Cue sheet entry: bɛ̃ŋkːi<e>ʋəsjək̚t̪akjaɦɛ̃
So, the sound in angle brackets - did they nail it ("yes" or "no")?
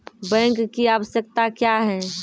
no